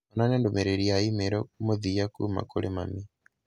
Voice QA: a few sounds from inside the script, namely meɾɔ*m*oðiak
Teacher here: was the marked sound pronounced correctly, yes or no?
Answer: yes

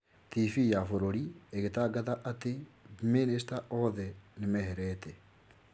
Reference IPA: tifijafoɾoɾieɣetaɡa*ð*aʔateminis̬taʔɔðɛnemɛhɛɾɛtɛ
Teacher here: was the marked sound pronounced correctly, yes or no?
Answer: yes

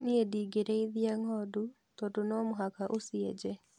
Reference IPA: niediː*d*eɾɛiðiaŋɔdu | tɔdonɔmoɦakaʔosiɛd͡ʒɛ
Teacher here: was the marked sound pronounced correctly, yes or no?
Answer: no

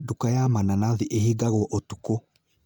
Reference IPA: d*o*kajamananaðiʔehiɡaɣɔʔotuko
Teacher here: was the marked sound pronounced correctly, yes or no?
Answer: no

